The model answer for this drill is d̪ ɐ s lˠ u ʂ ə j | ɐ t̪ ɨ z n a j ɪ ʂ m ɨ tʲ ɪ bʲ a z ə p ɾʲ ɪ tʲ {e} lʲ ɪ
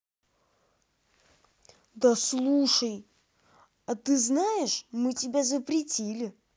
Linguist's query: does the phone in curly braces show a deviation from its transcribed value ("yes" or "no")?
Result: yes